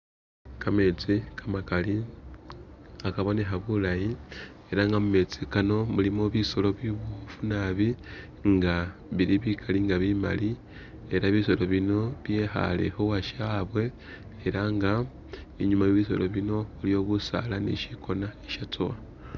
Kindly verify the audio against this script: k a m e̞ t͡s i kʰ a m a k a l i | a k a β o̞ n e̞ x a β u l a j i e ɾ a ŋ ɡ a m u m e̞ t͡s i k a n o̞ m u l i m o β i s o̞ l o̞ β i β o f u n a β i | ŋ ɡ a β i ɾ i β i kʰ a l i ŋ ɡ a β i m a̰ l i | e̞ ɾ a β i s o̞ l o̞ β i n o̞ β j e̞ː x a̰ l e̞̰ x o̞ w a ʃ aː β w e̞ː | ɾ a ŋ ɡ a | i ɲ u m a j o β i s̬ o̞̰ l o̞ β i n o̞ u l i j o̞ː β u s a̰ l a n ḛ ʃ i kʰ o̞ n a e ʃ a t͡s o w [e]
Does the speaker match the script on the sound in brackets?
no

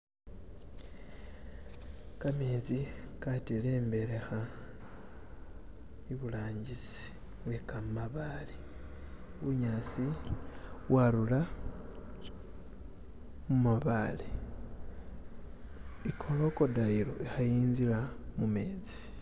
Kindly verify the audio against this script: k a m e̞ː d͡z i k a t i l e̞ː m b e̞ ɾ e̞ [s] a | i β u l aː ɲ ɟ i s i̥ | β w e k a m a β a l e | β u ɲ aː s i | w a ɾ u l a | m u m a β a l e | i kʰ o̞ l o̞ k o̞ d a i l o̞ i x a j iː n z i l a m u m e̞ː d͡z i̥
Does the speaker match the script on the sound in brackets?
no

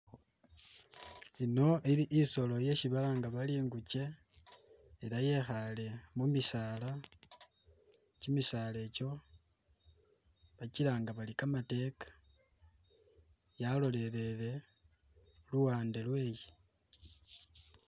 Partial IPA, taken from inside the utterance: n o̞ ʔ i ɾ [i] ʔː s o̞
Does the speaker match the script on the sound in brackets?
yes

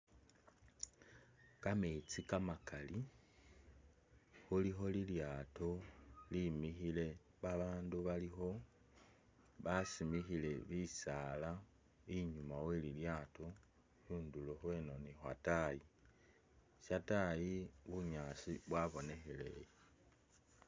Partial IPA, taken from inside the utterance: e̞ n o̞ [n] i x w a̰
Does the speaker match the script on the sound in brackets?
yes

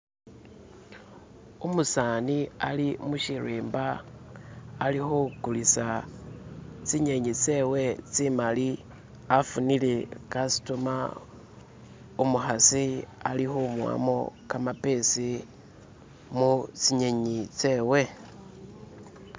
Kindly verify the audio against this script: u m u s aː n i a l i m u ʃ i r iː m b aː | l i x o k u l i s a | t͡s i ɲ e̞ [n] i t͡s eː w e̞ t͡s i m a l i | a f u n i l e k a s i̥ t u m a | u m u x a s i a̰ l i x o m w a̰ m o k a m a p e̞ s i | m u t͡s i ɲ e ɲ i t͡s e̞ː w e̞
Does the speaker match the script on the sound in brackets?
no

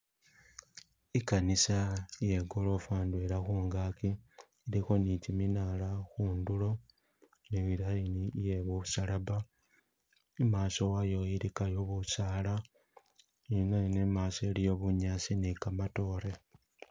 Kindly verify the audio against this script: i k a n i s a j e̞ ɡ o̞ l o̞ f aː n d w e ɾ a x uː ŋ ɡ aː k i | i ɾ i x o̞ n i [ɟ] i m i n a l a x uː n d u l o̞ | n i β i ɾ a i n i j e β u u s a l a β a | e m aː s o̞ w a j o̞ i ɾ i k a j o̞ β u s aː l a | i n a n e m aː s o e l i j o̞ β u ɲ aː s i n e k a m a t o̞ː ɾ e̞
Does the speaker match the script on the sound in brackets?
no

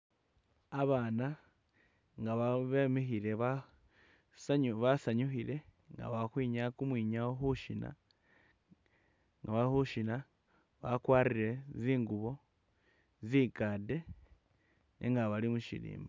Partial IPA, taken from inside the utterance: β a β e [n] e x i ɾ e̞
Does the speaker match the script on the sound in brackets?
no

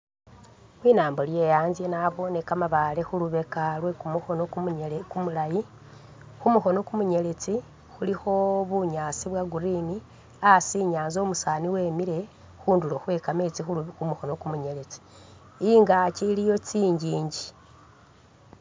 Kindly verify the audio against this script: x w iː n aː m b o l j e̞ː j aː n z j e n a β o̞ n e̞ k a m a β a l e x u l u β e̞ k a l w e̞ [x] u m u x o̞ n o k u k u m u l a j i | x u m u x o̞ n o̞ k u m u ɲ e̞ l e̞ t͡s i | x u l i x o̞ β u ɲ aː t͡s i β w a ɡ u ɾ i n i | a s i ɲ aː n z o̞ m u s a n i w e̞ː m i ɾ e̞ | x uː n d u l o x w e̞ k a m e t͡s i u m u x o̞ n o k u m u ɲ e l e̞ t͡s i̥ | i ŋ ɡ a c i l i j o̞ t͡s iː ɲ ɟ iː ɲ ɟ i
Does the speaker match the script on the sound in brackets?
no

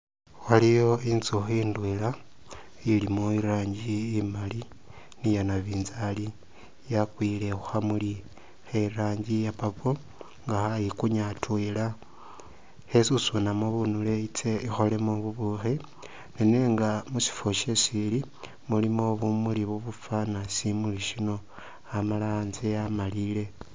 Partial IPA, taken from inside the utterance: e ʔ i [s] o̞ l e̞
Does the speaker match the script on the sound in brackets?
no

